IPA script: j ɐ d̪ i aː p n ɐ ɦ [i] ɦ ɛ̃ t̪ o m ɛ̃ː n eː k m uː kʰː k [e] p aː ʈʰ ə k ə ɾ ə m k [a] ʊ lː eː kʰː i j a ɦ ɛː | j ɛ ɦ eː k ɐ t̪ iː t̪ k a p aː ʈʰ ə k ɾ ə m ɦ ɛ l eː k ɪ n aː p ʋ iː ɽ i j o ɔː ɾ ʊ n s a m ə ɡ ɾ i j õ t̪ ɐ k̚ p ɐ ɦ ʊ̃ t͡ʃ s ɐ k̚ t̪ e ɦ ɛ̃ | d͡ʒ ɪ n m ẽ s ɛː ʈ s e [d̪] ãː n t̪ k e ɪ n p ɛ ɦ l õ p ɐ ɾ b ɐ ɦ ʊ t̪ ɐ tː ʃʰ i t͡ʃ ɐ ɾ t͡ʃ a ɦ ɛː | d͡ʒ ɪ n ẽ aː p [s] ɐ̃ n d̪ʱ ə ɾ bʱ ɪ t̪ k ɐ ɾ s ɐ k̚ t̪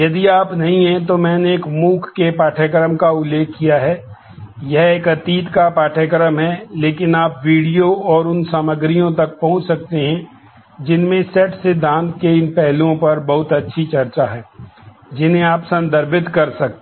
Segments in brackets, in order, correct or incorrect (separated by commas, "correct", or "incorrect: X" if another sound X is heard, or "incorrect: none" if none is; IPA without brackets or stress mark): incorrect: ĩ, correct, correct, correct, correct